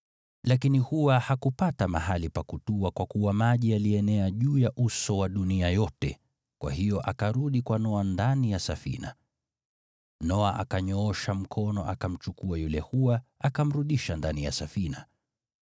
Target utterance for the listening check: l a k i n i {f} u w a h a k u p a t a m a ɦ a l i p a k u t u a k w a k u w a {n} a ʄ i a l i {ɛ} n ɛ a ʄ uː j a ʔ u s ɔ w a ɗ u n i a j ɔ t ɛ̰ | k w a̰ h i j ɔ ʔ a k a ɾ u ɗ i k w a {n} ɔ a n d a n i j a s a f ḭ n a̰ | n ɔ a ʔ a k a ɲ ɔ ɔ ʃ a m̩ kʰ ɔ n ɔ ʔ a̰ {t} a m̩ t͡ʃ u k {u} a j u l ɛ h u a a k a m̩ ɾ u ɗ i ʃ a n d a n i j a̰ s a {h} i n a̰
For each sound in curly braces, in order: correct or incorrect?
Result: incorrect: h, incorrect: m, correct, correct, incorrect: k, correct, incorrect: f

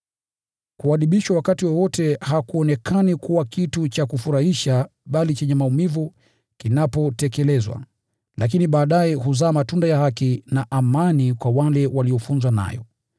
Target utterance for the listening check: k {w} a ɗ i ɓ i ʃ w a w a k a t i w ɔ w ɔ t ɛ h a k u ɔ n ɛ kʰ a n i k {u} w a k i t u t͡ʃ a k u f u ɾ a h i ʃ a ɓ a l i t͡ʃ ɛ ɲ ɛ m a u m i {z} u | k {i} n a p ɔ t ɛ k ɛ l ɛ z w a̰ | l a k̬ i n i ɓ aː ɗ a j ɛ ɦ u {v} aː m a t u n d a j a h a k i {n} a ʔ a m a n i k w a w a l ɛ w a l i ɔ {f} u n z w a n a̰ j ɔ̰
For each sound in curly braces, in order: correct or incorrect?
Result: incorrect: u, correct, incorrect: v, correct, incorrect: z, correct, correct

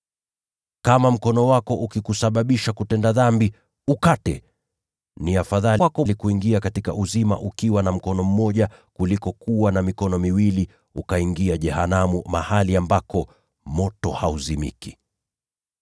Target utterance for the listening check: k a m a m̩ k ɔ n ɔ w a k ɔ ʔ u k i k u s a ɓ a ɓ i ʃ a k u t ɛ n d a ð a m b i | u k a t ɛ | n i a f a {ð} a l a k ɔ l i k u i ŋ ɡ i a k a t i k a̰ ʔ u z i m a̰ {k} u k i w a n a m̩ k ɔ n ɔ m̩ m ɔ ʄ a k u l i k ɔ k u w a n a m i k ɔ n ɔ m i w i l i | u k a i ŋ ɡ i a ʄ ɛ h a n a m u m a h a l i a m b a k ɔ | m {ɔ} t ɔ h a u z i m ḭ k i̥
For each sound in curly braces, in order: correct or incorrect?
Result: correct, incorrect: ʔ, correct

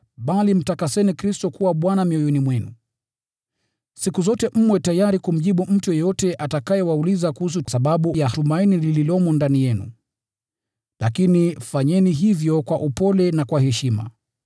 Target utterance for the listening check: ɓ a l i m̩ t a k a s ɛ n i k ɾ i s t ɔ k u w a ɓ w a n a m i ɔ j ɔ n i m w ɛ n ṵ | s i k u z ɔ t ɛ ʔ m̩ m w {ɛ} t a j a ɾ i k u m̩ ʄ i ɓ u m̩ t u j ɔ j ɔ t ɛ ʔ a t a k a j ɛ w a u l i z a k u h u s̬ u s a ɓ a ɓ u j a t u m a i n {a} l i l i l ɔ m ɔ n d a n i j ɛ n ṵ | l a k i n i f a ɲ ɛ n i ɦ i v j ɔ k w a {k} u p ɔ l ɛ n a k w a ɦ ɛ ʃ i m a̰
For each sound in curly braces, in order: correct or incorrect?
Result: correct, incorrect: i, incorrect: ʔ

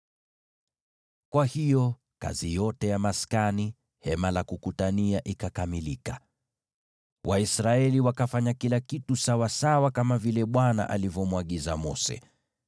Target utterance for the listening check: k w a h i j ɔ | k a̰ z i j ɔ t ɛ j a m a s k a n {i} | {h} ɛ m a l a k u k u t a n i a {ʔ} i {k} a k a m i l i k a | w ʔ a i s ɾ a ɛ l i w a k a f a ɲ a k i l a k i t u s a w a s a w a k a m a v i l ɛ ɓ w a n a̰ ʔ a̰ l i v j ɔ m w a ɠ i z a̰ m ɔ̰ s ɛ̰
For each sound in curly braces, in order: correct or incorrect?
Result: correct, correct, correct, correct

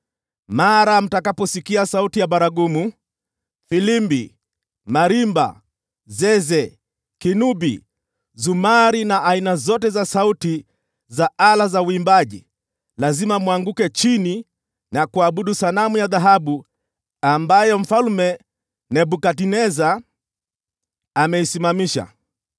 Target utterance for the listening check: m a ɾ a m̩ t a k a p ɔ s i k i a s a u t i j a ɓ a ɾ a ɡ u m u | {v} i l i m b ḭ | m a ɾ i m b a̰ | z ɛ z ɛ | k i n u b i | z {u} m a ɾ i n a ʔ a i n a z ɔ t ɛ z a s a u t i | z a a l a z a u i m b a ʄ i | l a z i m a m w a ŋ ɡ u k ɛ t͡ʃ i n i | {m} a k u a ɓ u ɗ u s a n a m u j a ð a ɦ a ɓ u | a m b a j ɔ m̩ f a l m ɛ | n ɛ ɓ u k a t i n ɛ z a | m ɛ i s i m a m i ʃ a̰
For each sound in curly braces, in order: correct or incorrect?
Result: incorrect: f, correct, incorrect: n

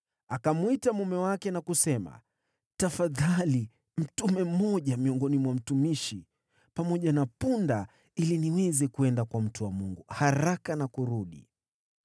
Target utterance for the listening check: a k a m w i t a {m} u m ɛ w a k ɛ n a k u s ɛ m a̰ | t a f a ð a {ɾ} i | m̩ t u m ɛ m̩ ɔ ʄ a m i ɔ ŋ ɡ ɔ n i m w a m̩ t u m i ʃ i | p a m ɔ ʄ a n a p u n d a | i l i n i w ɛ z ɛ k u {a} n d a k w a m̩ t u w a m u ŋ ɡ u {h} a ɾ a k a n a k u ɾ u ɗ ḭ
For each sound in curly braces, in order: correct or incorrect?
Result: correct, incorrect: l, incorrect: ɛ, correct

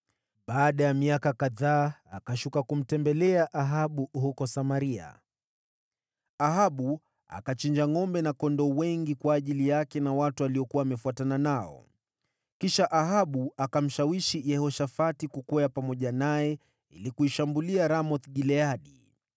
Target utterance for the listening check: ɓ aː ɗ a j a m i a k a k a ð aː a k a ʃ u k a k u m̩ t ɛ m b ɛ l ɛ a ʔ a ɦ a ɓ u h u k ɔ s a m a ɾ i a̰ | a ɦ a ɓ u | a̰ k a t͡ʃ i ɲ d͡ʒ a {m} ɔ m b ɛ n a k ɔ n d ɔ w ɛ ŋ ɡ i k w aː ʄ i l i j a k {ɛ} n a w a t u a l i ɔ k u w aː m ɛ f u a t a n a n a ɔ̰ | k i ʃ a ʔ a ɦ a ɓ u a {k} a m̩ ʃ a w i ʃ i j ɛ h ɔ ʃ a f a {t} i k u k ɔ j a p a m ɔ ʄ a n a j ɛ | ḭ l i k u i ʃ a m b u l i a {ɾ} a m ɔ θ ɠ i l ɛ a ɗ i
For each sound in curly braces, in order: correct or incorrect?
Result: incorrect: ŋ, correct, correct, correct, correct

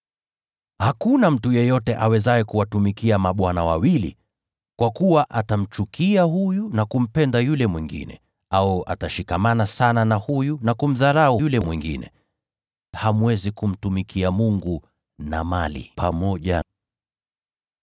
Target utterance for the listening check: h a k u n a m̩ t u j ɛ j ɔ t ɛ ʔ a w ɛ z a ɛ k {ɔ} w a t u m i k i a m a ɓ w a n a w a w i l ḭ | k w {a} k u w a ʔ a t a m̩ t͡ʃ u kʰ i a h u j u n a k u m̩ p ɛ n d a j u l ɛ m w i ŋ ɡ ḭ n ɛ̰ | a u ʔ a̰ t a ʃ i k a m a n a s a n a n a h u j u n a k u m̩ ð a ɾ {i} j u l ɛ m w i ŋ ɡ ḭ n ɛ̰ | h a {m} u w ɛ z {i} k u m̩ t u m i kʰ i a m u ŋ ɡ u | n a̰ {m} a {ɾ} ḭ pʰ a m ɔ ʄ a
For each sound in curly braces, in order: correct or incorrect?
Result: incorrect: u, correct, incorrect: a, correct, correct, correct, incorrect: l

